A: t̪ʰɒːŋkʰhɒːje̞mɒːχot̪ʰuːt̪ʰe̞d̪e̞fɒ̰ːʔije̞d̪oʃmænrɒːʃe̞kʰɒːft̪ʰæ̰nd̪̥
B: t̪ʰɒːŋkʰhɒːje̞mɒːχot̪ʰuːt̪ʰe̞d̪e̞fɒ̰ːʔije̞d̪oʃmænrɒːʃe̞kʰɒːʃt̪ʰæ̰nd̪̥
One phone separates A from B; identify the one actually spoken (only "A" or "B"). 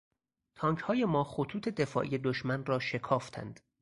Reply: A